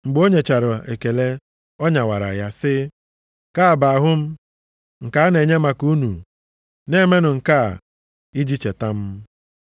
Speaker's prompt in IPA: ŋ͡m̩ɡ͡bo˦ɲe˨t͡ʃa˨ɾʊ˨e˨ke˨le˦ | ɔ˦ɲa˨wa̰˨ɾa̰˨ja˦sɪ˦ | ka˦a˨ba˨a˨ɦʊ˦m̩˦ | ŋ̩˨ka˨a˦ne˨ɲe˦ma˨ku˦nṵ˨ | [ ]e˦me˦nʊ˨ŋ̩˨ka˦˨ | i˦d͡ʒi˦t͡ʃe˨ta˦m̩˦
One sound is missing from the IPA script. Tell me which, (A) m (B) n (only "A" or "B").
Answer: B